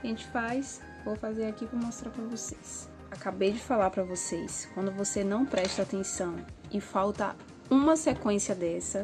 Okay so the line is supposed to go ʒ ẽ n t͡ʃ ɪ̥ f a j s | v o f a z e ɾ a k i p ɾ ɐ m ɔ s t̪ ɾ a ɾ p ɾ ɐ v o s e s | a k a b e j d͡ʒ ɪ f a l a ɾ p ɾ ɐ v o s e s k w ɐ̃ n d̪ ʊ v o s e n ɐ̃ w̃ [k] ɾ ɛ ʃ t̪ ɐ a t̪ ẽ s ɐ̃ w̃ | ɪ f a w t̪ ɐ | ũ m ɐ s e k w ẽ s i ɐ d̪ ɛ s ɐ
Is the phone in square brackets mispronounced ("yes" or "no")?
yes